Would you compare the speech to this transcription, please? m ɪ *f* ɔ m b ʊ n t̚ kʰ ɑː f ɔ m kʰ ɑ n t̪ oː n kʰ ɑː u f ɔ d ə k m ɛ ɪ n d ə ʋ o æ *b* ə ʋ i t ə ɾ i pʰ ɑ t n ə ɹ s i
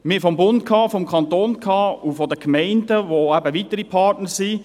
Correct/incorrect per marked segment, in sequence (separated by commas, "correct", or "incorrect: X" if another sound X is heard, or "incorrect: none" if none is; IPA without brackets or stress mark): correct, correct